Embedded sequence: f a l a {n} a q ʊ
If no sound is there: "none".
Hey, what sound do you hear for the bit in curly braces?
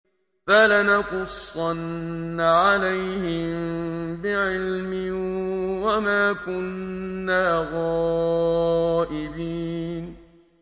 n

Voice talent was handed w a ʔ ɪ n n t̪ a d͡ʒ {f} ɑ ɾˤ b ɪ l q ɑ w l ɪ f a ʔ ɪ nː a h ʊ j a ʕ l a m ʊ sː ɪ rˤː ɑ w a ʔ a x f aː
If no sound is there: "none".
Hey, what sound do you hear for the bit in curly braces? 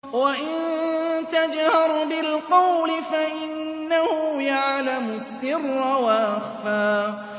h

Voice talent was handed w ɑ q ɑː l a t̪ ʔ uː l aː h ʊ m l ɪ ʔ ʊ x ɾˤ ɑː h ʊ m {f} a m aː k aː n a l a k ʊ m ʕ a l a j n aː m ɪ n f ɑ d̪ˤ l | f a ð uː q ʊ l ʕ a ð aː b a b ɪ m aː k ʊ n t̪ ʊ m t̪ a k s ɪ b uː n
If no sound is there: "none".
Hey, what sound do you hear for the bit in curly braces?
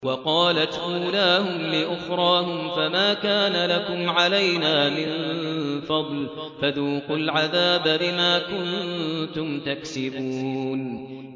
f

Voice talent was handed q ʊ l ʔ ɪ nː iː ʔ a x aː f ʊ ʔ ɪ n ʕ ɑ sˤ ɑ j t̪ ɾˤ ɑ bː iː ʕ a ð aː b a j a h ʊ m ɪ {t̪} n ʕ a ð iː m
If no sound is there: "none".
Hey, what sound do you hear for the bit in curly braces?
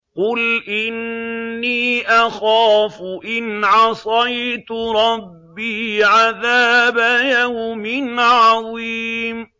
none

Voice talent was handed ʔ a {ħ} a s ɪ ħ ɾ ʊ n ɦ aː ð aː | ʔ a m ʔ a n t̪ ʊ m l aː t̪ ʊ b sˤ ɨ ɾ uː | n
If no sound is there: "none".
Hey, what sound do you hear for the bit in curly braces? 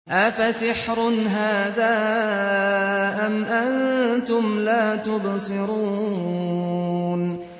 f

